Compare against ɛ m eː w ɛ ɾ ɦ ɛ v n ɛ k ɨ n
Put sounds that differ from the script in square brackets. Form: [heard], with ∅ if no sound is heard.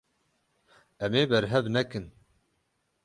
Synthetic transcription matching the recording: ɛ m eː [b] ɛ ɾ ɦ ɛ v n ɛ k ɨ n